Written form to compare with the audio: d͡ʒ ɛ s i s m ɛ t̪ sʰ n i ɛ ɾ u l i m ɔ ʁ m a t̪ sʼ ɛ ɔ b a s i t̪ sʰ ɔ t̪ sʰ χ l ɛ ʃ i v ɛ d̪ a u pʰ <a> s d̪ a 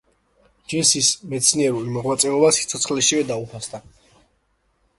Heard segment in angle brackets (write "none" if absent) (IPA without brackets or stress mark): a